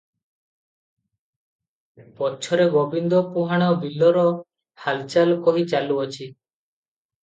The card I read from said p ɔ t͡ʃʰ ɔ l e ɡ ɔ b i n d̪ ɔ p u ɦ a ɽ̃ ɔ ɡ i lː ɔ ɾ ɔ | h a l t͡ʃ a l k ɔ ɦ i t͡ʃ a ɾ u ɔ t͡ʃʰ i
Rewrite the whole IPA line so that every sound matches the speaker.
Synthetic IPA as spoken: p ɔ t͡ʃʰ ɔ ɾ e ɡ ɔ b i n d̪ ɔ p u ɦ a ɽ̃ ɔ b i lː ɔ ɾ ɔ | h a l t͡ʃ a l k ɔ ɦ i t͡ʃ a l u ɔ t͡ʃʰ i

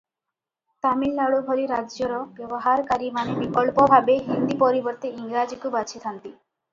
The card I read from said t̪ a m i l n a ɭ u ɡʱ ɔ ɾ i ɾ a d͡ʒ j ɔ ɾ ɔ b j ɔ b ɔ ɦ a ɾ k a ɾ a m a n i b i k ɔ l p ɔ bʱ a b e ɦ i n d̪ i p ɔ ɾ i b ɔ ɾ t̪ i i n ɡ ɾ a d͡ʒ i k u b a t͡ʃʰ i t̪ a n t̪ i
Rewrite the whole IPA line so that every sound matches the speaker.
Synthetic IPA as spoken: t̪ a m i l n a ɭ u bʱ ɔ ɾ i ɾ a d͡ʒ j ɔ ɾ ɔ b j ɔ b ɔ ɦ a ɾ k a ɾ i m a n e b i k ɔ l p ɔ bʱ a b e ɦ i n d̪ i p ɔ ɾ i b ɔ ɾ t̪ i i ŋ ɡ ɾ a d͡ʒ i k u b a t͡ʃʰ i t̪ʰ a n t̪ i

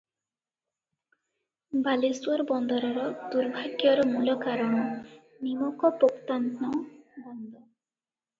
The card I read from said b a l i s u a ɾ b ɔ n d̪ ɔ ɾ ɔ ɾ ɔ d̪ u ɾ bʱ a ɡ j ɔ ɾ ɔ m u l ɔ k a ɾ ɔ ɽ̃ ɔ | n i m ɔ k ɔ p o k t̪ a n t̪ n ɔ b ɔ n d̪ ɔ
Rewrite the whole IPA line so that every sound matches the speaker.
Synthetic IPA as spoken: b a l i s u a ɾ b ɔ n d̪ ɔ ɾ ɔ ɾ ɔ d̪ u ɾ bʱ a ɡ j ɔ ɾ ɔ m u l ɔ k a ɾ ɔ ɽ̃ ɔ | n i m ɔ k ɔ p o k t̪ a n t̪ n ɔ b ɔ n d̪ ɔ

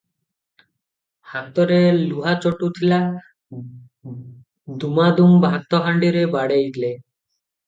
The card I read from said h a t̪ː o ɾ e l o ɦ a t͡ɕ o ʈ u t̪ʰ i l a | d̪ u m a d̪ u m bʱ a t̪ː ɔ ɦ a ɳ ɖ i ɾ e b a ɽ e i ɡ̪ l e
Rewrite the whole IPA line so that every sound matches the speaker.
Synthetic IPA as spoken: h a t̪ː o ɾ e l u ɦ a t͡ɕ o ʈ u t̪ʰ i l a | d̪ u m a d̪ u m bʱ a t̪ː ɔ ɦ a ɳ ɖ i ɾ e b a ɽ e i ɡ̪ l e

